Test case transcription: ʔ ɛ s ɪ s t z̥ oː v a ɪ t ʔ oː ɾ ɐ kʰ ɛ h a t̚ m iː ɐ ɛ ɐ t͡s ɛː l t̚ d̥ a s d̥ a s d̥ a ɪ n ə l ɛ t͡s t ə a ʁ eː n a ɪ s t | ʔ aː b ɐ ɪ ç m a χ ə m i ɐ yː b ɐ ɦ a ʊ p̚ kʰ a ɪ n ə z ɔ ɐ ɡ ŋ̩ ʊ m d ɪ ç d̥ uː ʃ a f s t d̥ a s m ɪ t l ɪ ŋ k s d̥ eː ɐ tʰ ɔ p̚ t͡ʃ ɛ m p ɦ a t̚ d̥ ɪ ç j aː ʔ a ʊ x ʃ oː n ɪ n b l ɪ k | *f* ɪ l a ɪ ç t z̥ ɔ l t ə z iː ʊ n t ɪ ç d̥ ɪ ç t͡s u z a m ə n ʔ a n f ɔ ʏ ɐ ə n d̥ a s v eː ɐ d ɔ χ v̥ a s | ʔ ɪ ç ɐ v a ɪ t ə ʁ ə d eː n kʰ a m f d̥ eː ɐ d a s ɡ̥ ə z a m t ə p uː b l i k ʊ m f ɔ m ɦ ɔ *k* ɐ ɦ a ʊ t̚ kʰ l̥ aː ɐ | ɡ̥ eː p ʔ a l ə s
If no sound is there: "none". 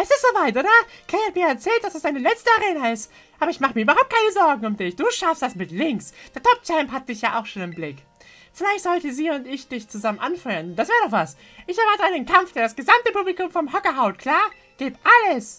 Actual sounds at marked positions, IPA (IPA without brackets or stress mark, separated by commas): f, k